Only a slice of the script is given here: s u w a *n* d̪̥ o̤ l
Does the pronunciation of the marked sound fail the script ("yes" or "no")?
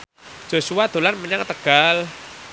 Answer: yes